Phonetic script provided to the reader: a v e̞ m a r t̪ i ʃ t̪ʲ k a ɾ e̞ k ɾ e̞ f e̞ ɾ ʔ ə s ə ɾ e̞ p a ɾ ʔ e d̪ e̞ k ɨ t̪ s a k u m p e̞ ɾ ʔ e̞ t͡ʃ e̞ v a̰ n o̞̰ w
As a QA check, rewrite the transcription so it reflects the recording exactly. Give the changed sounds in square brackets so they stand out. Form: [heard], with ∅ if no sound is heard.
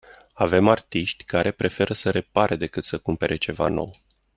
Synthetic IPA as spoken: a v e̞ m a r t̪ i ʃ t̪ʲ k a ɾ e̞ [p] ɾ e̞ f e̞ ɾ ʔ ə s ə ɾ e̞ p a ɾ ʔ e d̪ e̞ k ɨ t̪ s [ə] k u m p e̞ ɾ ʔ e̞ t͡ʃ e̞ v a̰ n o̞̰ w